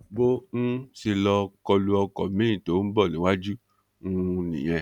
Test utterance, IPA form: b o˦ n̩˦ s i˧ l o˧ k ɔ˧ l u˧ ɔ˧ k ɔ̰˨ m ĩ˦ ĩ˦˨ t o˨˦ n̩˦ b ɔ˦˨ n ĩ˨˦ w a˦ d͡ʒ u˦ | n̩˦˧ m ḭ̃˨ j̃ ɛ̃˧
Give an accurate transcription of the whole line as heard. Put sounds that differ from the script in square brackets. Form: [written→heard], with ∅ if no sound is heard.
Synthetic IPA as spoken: b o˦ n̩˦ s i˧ l [o˧→ɔ˧] k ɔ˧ l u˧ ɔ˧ k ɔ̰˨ m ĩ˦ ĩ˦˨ t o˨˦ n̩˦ b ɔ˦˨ n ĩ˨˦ w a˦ d͡ʒ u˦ | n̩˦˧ [m→n] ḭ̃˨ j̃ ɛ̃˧

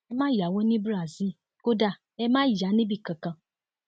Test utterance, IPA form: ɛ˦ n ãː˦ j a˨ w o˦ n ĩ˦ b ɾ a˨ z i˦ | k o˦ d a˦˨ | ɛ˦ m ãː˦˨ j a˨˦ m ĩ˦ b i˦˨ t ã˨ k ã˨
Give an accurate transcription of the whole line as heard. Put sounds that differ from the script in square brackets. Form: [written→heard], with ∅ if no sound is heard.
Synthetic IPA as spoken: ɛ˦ [n→m] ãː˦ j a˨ w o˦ n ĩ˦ b ɾ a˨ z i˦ | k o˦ d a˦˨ | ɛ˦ m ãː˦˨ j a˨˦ [m→n] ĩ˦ b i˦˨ [t→k] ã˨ k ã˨

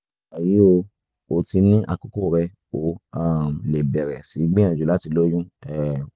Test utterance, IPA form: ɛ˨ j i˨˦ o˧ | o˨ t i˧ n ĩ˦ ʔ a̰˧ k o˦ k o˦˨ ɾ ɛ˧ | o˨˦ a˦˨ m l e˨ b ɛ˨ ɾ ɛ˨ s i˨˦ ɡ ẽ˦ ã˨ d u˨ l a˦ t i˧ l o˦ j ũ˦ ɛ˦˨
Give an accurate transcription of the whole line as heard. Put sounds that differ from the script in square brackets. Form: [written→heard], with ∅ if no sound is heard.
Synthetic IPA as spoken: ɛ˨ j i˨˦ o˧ | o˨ t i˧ n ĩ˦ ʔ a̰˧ k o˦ k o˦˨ ɾ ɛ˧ | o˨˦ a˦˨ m l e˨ b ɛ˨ ɾ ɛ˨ s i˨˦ [ɡ→ɡ͡b] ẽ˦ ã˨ [d→d͡ʒ] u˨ l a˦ t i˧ l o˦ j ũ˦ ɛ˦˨

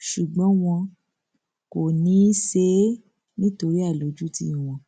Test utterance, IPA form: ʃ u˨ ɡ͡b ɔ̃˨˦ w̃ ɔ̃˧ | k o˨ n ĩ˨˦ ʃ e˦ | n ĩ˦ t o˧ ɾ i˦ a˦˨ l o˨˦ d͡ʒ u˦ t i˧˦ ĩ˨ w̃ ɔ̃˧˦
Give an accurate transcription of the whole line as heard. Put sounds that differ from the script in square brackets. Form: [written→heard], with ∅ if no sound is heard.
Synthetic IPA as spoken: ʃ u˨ ɡ͡b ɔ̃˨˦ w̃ ɔ̃˧ | k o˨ n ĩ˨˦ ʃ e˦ | n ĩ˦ t o˧ ɾ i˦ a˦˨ l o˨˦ d͡ʒ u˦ t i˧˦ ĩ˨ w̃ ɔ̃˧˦

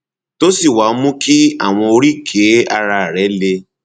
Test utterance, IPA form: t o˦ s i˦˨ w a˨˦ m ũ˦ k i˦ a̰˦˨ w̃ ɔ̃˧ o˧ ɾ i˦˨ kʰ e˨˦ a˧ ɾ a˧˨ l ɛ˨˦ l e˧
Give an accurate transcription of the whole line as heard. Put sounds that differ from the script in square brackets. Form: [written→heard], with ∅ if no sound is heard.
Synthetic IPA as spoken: t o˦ s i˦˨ w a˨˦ m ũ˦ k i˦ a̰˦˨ w̃ ɔ̃˧ o˧ ɾ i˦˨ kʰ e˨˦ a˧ ɾ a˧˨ [l→ɾ] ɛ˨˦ l e˧

